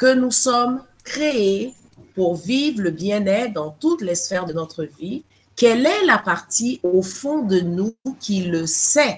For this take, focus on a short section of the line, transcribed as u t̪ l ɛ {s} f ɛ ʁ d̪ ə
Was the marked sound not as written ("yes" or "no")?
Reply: no